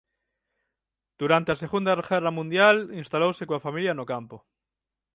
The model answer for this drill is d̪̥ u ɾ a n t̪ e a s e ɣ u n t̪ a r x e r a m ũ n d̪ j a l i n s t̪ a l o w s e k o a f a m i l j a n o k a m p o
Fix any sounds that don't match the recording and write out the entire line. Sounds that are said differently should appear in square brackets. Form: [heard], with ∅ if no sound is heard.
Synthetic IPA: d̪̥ u ɾ a n t̪ e a s e ɣ u n [d̪] a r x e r a m ũ n d̪ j a l i n s t̪ a l o w s e k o a f a m i l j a n o k a m p o